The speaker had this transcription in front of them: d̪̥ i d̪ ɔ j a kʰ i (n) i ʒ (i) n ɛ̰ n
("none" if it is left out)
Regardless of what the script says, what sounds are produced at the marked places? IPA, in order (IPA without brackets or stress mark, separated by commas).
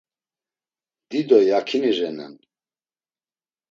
n, ɛ